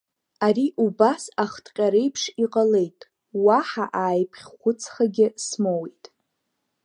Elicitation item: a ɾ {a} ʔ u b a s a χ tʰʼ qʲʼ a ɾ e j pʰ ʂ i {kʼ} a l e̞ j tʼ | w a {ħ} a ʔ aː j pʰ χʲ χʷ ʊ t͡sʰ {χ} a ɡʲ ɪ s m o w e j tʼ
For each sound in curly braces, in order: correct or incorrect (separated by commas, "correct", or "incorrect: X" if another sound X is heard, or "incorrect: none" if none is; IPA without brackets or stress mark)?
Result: incorrect: i, incorrect: qʼ, correct, correct